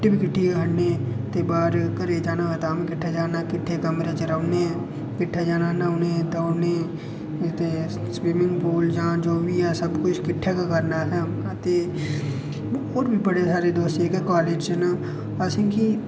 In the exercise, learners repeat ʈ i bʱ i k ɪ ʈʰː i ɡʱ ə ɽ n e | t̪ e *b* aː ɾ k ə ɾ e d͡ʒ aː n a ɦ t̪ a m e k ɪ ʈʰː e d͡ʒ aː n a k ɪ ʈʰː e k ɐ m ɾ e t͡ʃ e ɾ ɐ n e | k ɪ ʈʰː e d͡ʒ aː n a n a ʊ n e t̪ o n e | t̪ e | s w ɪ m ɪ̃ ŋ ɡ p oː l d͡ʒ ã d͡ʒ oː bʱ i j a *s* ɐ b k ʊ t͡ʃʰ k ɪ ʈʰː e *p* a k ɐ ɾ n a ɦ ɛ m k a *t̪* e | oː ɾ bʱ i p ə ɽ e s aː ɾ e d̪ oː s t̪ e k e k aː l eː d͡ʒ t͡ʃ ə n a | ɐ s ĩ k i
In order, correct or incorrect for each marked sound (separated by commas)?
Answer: correct, correct, incorrect, correct